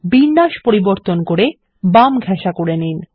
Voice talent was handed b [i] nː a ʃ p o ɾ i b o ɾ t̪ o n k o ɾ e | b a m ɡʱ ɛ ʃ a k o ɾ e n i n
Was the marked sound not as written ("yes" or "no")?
no